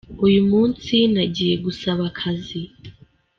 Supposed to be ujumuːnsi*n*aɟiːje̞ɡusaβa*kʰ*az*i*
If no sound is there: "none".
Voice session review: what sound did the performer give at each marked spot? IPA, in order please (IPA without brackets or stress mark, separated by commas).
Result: n, kʰ, i